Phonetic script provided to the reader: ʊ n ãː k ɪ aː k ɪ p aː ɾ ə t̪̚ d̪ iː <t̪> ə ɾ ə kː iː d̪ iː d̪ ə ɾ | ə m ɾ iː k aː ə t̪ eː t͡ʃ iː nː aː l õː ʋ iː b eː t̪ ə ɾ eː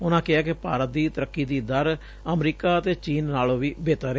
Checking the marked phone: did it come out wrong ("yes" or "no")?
no